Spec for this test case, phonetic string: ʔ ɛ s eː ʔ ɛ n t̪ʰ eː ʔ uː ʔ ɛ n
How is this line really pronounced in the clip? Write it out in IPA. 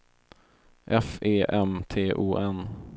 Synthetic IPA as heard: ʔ ɛ f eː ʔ ɛ m t̪ʰ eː ʔ uː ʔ ɛ n